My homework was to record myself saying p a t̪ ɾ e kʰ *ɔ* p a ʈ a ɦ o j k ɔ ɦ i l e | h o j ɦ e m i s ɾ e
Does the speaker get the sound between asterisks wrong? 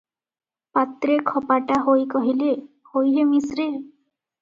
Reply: no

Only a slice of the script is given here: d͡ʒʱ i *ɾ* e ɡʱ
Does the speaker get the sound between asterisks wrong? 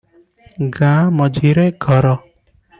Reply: no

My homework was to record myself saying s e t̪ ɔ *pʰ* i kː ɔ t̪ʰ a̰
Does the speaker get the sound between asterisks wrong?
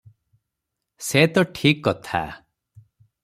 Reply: yes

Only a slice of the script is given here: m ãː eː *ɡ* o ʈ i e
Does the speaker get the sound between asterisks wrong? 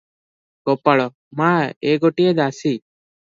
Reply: no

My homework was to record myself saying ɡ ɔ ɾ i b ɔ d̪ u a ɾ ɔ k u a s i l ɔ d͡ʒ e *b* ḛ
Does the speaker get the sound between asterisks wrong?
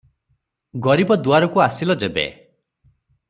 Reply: no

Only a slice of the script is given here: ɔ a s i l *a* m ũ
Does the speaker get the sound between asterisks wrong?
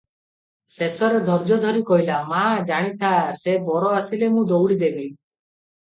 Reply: yes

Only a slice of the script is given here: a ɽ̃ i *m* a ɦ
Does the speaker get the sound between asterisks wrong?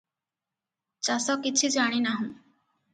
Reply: yes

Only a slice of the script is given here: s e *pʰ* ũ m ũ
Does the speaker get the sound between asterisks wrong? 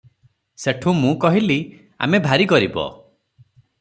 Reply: yes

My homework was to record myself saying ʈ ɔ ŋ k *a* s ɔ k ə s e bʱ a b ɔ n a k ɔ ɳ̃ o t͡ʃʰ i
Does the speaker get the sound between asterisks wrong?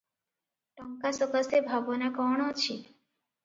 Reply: no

